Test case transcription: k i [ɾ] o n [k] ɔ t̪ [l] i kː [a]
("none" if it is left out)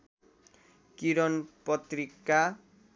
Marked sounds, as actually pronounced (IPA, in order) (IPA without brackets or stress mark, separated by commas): ɾ, p, ɾ, a